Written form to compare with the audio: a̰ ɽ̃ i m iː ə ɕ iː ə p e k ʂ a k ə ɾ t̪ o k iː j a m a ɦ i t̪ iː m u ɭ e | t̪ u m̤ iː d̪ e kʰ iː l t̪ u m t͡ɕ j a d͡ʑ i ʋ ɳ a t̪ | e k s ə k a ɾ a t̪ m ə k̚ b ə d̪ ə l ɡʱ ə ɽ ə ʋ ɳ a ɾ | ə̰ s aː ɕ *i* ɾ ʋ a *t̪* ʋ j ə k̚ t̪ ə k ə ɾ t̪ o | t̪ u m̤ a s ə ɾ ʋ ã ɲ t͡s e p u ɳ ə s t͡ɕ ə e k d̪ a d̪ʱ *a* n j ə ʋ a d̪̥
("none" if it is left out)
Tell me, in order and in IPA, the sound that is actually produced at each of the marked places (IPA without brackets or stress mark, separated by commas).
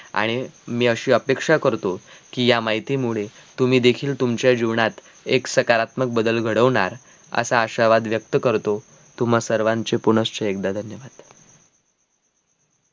a, d̪, ə